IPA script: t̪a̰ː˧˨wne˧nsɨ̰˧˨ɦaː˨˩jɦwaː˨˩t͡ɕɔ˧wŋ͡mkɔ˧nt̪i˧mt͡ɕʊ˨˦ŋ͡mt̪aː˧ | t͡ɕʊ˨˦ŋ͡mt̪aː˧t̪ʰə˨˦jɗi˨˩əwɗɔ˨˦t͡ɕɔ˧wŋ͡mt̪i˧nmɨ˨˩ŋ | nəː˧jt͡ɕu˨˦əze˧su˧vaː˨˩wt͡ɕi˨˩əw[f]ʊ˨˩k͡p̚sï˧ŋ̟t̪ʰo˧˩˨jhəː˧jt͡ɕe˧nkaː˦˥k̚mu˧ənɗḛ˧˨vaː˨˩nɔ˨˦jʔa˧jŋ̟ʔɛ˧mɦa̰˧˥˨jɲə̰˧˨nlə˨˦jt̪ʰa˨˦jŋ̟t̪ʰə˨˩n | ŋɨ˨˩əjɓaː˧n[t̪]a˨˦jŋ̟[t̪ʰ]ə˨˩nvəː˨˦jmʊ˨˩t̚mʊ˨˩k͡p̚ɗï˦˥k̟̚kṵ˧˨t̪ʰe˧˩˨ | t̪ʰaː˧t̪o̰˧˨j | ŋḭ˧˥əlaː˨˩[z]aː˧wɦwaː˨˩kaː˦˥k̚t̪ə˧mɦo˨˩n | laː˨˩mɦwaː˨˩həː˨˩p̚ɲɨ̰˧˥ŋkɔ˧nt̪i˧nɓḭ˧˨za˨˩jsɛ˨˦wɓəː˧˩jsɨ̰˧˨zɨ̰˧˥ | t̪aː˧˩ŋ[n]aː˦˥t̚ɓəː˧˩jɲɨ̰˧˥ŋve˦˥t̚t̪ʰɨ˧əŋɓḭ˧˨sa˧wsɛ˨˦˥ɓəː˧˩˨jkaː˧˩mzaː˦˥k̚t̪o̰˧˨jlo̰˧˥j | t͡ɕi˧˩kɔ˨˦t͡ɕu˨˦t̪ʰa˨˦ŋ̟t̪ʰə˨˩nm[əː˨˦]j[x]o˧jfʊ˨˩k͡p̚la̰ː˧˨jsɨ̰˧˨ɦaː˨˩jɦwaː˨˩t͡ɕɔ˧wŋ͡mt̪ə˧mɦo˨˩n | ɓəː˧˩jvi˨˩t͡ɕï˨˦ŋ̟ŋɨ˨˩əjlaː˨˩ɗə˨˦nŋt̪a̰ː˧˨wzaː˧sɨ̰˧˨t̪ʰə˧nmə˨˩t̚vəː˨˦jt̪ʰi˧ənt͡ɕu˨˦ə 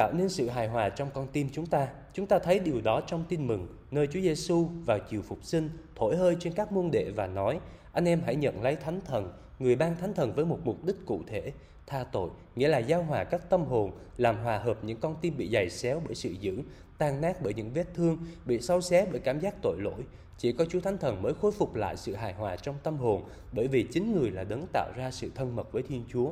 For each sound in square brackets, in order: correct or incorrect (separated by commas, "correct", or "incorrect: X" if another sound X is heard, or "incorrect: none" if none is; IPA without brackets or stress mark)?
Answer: correct, incorrect: t̪ʰ, correct, correct, correct, correct, correct